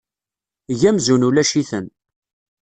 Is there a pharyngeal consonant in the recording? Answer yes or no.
no